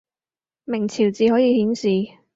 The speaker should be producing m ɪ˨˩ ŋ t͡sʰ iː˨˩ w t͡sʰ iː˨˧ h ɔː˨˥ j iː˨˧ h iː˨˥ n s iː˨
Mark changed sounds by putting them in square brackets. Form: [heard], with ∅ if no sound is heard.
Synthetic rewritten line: m ɪ˨˩ ŋ t͡sʰ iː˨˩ w [t͡s] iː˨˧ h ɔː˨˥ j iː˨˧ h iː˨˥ n s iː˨